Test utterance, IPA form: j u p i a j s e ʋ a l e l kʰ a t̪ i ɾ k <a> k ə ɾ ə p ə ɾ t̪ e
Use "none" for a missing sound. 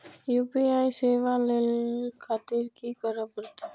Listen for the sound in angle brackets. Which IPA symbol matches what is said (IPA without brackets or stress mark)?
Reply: i